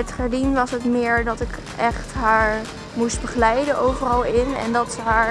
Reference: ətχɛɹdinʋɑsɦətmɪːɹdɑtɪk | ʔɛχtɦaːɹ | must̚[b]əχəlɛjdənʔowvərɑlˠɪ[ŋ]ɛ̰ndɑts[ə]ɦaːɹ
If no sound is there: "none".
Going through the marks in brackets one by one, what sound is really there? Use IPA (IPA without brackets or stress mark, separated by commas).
b, n, ə